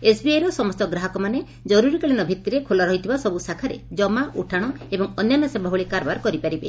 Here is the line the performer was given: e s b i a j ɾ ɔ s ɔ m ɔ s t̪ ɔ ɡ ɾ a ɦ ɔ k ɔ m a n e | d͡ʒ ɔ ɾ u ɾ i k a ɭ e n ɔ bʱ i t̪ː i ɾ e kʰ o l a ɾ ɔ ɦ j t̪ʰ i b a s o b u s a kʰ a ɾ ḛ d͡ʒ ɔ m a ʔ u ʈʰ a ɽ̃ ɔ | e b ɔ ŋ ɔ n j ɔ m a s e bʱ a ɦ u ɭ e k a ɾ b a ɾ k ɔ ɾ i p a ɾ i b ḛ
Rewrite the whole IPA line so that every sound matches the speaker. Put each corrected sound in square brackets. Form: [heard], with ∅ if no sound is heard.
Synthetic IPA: e s b i a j ɾ ɔ s ɔ m ɔ s t̪ ɔ ɡ ɾ a ɦ ɔ k ɔ m a n e | d͡ʒ ɔ ɾ u ɾ i k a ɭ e n ɔ bʱ i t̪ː i ɾ e kʰ o l a ɾ ɔ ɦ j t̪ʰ i b a s [ɔ] b u s a kʰ a ɾ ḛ d͡ʒ ɔ m a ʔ u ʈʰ a ɽ̃ ɔ | e b ɔ ŋ ɔ n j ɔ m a s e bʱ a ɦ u ɭ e k a ɾ b a ɾ k ɔ ɾ i p a ɾ i b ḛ